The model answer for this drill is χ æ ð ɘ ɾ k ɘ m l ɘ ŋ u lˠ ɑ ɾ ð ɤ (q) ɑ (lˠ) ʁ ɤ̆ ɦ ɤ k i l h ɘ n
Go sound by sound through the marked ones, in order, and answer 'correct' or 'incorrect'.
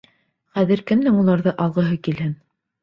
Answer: incorrect: ʔ, correct

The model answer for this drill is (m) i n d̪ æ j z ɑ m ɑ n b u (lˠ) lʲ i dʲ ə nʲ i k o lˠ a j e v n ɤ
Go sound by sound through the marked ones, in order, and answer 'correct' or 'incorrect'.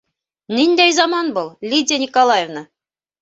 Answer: incorrect: n, correct

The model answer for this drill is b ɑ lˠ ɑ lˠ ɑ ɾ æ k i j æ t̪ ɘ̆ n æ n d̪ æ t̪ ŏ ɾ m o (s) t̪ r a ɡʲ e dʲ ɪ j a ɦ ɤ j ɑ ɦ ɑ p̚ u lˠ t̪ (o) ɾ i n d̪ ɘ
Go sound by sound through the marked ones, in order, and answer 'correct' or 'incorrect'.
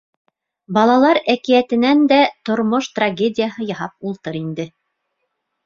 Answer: incorrect: ʃ, incorrect: ɤ

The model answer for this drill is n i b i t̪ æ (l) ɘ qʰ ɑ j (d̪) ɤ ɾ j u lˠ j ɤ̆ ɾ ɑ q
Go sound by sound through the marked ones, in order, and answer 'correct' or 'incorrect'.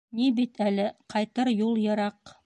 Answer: correct, incorrect: t̪

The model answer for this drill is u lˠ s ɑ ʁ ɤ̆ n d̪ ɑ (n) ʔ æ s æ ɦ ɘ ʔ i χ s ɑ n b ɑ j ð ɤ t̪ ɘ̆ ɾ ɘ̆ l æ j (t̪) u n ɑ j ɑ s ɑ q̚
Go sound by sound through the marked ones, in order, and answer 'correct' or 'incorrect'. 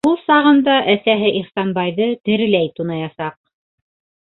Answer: incorrect: none, correct

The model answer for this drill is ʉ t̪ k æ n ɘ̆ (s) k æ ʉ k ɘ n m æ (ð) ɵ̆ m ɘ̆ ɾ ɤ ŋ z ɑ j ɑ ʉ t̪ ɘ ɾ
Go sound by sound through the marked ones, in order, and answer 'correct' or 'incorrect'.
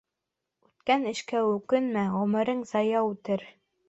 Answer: incorrect: ʃ, incorrect: ʁ

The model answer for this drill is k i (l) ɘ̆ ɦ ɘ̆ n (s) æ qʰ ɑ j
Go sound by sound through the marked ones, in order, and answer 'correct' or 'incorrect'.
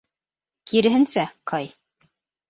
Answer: incorrect: ɾ, correct

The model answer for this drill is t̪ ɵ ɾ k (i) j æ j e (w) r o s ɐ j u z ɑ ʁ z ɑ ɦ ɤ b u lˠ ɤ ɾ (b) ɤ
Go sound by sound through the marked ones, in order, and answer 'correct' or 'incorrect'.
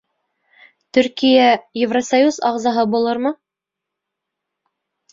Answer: correct, incorrect: v, incorrect: m

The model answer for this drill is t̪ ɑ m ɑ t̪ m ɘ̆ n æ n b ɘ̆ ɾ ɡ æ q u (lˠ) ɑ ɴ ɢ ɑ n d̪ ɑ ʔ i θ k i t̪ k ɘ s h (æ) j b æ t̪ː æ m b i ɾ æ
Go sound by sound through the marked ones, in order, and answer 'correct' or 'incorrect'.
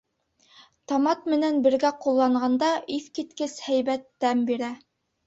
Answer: incorrect: lˠː, correct

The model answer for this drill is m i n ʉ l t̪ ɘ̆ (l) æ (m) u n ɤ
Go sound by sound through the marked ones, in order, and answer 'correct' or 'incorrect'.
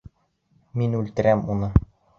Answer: incorrect: ɾ, correct

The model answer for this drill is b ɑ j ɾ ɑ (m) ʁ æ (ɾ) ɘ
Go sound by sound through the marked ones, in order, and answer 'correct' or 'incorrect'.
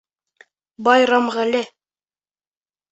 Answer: correct, incorrect: l

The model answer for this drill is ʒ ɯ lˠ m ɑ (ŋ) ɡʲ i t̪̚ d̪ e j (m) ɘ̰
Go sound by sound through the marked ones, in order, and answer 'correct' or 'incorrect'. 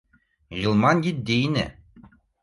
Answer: incorrect: n, incorrect: n

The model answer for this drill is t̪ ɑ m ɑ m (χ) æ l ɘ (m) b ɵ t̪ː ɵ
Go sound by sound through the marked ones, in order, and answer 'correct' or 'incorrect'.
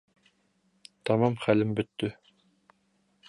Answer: correct, correct

